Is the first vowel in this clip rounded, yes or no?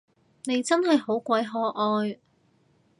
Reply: no